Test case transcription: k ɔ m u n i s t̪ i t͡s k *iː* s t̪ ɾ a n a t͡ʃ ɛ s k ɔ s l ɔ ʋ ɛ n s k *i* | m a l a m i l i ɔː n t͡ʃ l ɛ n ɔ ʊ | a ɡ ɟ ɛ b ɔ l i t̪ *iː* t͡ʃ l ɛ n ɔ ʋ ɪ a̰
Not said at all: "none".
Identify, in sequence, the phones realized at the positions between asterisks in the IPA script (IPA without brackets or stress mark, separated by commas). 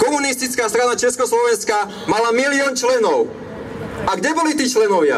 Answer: aː, a, iː